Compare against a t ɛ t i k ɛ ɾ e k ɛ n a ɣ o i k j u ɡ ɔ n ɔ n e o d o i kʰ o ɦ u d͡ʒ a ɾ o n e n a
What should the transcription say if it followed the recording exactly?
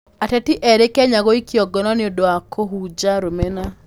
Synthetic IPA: a t ɛ t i ʔ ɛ ɾ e k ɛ ɲ a ɣ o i k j ɔ ɡ ɔ n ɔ n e o d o a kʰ o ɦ u d͡ʒ a ɾ o m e n a